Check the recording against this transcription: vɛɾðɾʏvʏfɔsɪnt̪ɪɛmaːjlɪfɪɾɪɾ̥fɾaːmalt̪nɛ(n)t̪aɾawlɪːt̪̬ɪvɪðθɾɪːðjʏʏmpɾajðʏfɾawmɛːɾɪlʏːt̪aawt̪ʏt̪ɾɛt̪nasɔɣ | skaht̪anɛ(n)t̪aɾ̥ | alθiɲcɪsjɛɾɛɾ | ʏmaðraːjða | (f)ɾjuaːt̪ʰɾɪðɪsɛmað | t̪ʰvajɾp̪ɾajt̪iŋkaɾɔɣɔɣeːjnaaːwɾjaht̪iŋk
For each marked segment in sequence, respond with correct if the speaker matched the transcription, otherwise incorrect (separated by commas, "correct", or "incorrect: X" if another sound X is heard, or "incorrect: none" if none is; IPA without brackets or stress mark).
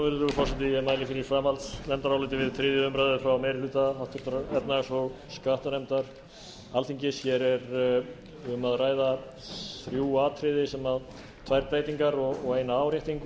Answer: incorrect: m, incorrect: m, incorrect: θ